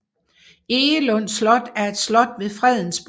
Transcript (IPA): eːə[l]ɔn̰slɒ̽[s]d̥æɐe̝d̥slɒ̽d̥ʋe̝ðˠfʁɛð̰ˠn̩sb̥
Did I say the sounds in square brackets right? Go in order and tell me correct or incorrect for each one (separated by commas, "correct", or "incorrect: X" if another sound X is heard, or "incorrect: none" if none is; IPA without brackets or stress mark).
correct, incorrect: none